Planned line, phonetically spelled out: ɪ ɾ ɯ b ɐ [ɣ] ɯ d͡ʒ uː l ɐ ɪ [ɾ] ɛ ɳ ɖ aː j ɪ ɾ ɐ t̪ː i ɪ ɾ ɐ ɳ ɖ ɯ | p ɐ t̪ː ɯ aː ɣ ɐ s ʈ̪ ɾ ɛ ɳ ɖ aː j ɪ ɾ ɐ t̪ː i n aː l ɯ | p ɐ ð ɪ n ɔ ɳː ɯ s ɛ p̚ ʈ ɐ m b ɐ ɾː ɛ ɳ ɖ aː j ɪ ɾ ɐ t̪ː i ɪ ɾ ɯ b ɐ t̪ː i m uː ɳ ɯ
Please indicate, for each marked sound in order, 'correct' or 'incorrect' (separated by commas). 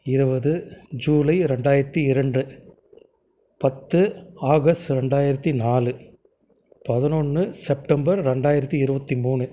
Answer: incorrect, correct